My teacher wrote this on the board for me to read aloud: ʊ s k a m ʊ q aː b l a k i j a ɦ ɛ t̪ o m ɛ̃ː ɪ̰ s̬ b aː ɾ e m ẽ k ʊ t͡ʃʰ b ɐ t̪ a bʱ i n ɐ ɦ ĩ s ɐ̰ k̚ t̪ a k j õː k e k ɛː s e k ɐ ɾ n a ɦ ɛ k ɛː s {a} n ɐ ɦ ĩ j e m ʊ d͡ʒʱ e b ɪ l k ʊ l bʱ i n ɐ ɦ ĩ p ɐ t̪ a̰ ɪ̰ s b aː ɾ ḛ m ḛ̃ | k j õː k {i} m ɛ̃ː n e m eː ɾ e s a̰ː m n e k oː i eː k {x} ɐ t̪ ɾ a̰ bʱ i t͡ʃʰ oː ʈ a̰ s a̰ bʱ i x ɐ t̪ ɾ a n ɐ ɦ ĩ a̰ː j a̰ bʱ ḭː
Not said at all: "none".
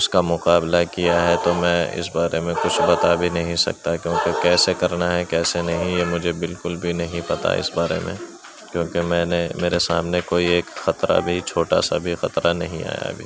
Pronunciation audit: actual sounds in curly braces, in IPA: e, e, x

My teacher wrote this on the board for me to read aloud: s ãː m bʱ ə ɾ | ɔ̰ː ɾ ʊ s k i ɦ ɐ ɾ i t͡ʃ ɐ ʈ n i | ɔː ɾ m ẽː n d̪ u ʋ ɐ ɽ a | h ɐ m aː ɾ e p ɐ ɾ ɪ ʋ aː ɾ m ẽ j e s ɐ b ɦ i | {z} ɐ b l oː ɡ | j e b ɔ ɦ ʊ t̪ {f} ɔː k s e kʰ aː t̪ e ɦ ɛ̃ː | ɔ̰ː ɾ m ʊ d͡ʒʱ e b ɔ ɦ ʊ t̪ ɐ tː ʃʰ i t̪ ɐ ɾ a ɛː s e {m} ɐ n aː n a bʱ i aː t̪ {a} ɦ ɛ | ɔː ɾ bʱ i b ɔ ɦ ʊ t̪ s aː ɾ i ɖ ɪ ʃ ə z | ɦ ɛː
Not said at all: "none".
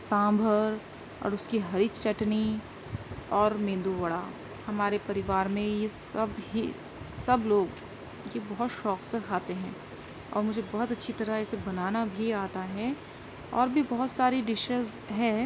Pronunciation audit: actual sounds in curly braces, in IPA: s, ʃ, b, a

